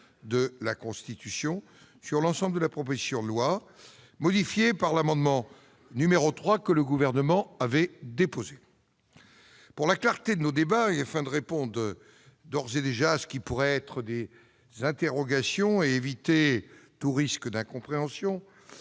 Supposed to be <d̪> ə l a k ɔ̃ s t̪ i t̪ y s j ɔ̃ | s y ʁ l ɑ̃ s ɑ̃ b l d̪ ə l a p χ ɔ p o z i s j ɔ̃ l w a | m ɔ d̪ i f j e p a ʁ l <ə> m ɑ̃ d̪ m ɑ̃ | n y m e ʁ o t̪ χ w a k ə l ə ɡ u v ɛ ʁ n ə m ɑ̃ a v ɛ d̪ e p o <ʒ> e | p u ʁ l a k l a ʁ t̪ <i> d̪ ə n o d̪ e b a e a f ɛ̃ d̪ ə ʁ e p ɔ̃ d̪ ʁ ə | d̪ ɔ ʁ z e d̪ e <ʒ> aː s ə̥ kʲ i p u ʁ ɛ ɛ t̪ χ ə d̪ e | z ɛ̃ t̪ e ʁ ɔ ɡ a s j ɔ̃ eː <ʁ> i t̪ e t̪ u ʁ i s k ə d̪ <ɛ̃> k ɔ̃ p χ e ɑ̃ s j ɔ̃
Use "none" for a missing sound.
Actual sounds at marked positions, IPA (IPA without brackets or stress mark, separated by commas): d̪, a, z, e, ʒ, v, ɛ̃